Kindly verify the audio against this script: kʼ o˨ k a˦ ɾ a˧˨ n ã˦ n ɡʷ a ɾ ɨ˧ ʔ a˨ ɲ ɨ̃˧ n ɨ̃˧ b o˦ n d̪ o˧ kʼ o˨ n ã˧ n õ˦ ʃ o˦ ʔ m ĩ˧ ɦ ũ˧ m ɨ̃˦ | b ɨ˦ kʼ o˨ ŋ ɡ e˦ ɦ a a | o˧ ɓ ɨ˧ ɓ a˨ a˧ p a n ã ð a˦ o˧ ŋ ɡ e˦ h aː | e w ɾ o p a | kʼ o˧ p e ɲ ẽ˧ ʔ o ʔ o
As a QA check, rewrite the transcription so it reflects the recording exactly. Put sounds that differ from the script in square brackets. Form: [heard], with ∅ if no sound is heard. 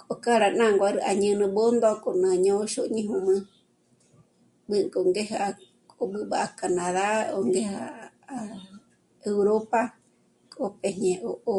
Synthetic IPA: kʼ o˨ k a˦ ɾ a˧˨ n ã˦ [ŋ] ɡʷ a ɾ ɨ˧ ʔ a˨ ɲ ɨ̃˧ n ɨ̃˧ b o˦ n d̪ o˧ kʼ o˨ n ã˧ [ɲ] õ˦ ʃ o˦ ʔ [ɲ] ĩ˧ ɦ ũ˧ m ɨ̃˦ | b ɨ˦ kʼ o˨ ŋ ɡ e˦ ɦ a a | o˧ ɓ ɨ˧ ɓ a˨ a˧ [k] a n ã ð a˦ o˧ ŋ ɡ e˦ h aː | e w ɾ o p a | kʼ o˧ p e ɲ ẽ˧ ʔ o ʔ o